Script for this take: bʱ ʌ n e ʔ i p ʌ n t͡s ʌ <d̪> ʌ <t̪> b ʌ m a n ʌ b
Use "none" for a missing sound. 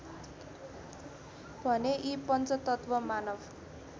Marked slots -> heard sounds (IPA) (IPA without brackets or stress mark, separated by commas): t̪, t̪